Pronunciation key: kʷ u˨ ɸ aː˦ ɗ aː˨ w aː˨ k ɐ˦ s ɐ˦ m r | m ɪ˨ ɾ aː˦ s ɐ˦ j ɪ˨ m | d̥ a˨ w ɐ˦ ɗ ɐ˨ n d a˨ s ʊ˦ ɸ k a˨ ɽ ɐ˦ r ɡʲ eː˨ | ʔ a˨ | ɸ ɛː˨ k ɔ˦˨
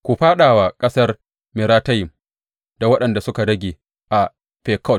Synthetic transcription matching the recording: kʷ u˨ ɸ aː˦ ɗ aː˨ w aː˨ kʼ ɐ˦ s ɐ˦ r | m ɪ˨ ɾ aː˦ t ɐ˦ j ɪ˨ m | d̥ a˨ w ɐ˦ ɗ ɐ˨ n d a˨ s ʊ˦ k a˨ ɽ ɐ˦ ɡʲ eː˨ | ʔ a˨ | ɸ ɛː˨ k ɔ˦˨